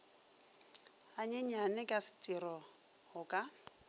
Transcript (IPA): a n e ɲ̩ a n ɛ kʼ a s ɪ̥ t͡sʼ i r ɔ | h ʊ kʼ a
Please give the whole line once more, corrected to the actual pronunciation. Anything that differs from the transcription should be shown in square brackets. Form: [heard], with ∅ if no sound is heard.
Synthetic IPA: a [ɲ] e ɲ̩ a n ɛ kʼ a s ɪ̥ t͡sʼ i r ɔ | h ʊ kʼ a